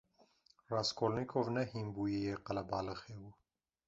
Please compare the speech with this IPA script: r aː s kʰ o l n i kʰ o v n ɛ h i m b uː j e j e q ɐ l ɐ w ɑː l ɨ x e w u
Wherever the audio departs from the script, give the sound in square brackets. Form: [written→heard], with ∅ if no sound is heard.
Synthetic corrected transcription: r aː s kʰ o l n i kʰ o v n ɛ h i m b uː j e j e q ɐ l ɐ [w→b] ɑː l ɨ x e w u